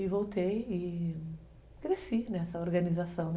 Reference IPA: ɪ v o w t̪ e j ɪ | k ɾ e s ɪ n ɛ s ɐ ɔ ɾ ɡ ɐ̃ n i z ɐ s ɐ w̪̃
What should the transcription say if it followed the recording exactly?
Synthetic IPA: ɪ v o w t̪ e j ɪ | k ɾ e s i n ɛ s ɐ o ɾ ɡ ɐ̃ n i z a s ɐ̃ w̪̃